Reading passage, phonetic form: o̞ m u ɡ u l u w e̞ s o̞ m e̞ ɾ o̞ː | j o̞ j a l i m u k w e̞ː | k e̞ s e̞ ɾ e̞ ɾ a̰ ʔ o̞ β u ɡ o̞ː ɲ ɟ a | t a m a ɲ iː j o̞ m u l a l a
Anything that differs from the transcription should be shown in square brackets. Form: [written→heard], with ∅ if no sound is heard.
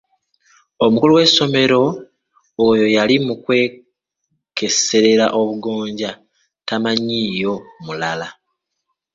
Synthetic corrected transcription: o̞ m u [ɡ→k] u l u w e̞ s o̞ m e̞ ɾ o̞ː | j o̞ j a l i m u k w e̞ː | k e̞ s e̞ ɾ e̞ ɾ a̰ ʔ o̞ β u ɡ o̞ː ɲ ɟ a | t a m a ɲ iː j o̞ m u l a l a